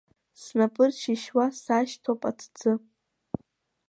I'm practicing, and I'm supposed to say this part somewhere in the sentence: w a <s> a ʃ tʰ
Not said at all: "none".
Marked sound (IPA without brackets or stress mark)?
s